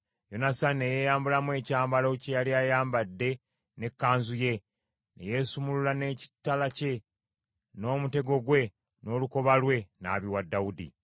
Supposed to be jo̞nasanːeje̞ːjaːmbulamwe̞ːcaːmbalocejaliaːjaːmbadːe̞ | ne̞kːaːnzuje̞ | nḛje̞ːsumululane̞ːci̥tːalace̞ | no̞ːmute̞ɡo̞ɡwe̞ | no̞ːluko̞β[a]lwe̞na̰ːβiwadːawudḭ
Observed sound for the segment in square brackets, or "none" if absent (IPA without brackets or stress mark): a